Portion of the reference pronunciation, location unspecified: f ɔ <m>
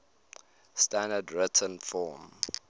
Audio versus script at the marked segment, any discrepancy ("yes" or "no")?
no